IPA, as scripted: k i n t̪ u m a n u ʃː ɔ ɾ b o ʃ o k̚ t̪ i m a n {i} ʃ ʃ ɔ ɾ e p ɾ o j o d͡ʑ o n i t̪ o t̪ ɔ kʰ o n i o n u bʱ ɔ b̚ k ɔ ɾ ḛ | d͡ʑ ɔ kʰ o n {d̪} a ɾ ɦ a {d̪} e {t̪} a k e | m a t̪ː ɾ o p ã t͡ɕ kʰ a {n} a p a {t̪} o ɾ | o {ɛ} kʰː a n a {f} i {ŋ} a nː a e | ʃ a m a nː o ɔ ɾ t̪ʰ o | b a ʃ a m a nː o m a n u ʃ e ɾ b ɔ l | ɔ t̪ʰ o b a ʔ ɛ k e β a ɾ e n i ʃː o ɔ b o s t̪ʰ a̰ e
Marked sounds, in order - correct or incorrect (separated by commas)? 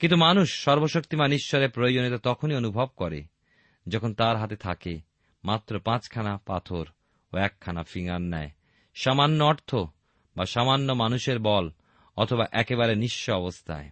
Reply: correct, incorrect, incorrect, incorrect, correct, incorrect, correct, correct, correct